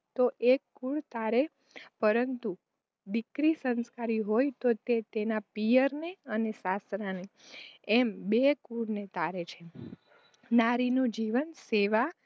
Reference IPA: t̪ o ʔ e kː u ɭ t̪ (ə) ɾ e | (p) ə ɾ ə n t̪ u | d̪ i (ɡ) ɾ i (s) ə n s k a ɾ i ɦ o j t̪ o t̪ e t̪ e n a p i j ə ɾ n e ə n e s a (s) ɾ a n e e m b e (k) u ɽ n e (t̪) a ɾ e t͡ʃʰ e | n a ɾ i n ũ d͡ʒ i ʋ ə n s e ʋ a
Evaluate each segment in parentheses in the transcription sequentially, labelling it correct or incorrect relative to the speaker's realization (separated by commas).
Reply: incorrect, correct, incorrect, correct, correct, correct, correct